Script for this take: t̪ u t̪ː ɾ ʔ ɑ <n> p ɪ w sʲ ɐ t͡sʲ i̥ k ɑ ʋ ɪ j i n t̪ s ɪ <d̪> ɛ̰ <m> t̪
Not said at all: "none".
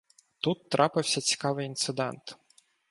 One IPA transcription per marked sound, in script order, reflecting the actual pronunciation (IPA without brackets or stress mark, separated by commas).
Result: none, d̪, n